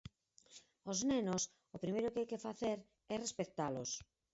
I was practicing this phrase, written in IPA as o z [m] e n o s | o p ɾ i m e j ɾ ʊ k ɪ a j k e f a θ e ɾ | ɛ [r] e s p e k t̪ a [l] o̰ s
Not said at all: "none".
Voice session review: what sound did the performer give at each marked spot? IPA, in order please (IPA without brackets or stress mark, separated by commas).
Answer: n, r, l